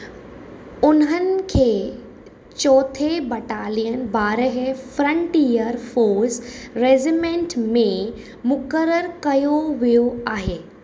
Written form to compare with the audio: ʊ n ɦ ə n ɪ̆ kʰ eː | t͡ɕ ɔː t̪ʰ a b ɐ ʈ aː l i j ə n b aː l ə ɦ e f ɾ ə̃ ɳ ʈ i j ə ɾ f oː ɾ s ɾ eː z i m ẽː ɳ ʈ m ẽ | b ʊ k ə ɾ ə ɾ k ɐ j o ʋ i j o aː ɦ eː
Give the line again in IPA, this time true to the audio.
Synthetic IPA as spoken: ʊ n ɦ ə n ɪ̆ kʰ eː | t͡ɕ ɔː t̪ʰ e b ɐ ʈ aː l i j ə n b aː ɾ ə ɦ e f ɾ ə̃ ɳ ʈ i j ə ɾ f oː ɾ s ɾ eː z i m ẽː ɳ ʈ m ẽ | m ʊ k ə ɾ ə ɾ k ɐ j o ʋ i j o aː ɦ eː